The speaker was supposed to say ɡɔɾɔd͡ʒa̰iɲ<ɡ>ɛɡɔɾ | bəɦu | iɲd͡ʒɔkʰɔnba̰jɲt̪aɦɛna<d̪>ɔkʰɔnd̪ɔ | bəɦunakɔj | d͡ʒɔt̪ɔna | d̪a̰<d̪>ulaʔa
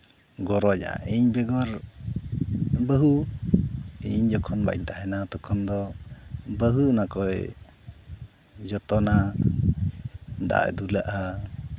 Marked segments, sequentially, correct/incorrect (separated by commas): incorrect, incorrect, correct